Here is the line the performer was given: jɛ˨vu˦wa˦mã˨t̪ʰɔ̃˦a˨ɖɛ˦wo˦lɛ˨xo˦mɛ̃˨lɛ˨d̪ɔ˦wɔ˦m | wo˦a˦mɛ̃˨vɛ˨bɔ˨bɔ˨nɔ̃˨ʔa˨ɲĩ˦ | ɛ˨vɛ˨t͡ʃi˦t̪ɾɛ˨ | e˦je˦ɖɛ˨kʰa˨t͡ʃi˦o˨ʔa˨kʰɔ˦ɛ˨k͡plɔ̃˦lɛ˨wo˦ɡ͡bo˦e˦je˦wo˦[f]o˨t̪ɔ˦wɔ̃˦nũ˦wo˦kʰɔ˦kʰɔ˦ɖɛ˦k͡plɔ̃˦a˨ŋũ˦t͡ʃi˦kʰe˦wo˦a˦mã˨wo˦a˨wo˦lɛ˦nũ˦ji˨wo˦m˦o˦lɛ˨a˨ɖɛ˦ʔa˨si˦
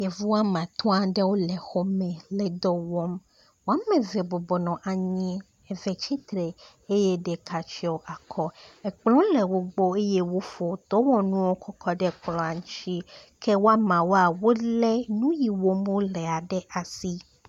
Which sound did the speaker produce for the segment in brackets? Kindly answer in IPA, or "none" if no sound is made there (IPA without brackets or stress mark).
f